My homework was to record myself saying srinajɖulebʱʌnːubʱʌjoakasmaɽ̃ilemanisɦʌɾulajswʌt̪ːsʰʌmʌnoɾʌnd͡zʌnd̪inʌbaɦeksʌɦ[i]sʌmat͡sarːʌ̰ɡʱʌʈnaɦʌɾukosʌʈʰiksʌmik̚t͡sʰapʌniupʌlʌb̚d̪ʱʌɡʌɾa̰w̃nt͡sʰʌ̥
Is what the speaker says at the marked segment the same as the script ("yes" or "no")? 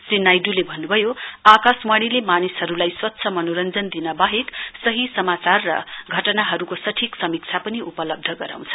yes